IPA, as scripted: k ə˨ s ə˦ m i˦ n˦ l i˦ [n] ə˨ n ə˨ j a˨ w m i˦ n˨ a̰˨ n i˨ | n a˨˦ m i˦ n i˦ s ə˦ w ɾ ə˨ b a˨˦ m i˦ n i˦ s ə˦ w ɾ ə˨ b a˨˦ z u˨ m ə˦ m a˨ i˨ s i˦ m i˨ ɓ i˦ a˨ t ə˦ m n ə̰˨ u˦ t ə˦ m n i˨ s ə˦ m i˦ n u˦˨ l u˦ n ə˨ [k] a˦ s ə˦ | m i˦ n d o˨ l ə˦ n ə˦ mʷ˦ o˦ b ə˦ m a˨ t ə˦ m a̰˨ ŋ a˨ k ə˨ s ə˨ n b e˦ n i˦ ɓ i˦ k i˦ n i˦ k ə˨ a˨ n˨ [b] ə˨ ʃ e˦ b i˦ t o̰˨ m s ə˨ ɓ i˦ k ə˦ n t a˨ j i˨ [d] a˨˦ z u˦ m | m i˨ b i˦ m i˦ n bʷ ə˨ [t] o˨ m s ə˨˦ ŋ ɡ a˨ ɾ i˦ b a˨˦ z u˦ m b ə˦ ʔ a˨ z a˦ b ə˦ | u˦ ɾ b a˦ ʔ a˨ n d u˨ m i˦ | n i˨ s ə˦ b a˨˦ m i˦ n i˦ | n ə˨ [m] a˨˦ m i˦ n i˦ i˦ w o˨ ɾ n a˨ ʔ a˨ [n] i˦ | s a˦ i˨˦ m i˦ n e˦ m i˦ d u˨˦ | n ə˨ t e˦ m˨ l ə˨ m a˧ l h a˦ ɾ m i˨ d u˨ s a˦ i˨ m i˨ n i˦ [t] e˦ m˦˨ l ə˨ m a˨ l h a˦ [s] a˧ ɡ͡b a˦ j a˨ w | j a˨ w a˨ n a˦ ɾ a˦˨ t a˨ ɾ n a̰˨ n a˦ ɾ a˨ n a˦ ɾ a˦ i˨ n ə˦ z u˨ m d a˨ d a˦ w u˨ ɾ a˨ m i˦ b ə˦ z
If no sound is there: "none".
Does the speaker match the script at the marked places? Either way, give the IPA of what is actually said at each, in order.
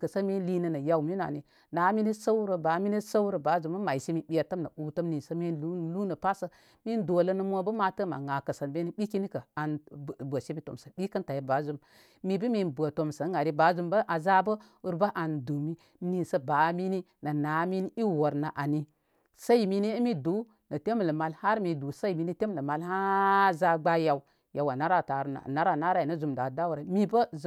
n, p, b, b, t, n, n, t, z

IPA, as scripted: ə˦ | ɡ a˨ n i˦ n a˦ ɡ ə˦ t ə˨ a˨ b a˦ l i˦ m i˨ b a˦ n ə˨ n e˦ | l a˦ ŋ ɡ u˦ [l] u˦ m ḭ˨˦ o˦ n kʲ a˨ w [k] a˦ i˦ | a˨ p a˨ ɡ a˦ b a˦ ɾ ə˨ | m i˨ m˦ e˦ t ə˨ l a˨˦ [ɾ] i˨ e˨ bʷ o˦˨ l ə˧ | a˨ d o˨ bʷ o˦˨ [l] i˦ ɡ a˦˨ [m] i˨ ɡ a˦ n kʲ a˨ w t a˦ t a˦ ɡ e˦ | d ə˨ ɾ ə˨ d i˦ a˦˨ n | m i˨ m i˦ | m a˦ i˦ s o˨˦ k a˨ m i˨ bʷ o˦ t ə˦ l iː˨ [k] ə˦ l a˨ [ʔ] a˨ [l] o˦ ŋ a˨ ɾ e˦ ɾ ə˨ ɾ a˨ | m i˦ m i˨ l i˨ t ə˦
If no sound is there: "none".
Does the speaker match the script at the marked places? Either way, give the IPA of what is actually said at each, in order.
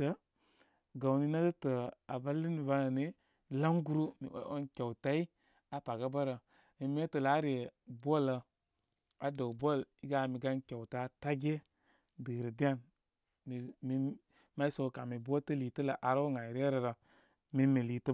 ɾ, t, ɾ, l, m, t, ʔ, ɾ

